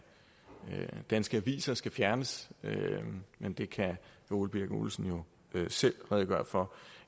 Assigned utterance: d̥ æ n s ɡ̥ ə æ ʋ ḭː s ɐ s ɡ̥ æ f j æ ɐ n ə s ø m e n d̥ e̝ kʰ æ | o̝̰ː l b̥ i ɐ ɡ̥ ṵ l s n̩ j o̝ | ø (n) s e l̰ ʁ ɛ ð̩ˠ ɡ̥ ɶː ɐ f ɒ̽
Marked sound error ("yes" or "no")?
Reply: yes